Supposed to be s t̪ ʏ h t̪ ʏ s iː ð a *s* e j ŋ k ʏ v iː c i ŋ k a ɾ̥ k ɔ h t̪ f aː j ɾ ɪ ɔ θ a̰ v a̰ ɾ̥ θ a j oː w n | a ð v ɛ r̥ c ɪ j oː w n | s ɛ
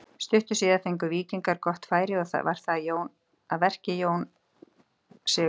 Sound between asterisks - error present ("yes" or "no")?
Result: yes